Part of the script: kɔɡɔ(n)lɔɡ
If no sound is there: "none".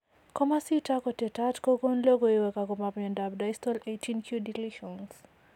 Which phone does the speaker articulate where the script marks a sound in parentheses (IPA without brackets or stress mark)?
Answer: n